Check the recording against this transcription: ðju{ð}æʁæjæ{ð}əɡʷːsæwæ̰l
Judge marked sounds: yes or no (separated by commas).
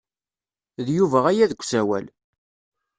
no, yes